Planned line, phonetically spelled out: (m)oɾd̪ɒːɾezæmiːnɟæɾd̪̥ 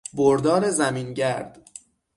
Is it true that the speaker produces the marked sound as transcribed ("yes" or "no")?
no